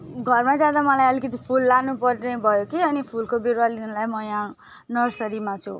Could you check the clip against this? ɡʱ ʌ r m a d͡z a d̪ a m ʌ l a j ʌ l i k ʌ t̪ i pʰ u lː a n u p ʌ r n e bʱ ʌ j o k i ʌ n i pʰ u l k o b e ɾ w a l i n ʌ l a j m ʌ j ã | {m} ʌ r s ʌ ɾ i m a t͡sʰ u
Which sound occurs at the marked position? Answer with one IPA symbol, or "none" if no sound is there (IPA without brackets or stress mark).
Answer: n